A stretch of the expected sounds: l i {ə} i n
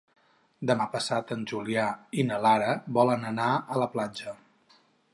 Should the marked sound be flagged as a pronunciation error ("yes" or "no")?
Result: yes